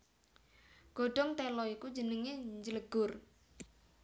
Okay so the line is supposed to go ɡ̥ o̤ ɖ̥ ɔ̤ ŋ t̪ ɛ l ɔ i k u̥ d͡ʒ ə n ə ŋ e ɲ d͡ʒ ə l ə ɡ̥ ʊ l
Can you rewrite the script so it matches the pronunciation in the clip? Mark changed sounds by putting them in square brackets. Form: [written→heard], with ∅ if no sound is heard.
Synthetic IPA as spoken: ɡ̥ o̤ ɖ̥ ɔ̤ ŋ t̪ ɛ l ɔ i k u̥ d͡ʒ ə n ə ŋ e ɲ d͡ʒ ə l ə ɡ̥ ʊ [l→r]